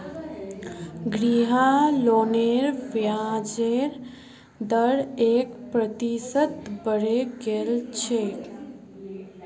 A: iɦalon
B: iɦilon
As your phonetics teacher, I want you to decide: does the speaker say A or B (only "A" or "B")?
A